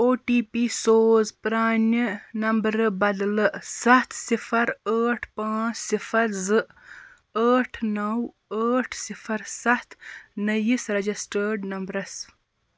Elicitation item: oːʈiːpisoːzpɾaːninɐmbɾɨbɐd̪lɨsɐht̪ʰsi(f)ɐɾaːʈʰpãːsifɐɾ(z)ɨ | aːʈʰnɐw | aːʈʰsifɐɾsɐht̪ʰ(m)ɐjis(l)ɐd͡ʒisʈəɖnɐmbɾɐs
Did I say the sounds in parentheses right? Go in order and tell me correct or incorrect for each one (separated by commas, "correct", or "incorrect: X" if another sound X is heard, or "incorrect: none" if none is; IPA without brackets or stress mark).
correct, correct, incorrect: n, incorrect: ɾ